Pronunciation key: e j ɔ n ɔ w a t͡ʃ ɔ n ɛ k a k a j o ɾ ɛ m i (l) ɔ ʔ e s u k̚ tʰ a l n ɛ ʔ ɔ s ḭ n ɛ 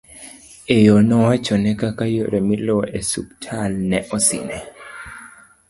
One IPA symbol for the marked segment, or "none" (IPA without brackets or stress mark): l